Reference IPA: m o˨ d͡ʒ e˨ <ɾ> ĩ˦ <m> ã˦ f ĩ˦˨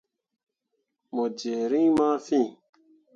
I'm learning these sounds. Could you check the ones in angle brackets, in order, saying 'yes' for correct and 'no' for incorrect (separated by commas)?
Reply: yes, yes